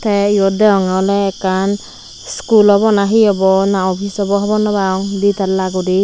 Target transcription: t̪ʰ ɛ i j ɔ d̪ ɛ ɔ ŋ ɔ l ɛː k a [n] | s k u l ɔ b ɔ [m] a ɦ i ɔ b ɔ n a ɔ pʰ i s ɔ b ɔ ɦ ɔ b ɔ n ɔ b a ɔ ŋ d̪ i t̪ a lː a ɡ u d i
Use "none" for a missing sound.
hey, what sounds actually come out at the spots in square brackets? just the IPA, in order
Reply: n, n

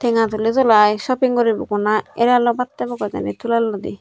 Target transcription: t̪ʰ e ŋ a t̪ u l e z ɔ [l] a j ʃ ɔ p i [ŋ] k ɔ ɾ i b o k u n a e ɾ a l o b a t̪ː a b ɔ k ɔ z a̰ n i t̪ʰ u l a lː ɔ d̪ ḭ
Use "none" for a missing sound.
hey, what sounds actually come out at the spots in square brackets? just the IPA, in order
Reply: l, ŋ

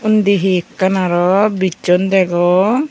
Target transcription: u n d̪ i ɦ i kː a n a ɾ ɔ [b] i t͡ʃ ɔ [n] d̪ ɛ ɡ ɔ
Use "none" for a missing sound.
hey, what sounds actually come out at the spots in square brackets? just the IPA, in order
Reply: b, n

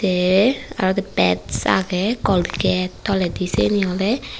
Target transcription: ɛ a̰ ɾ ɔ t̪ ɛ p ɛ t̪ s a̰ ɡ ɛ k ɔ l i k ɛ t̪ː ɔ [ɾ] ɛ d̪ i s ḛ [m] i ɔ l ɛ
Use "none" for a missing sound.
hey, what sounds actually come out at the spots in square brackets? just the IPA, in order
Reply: l, n

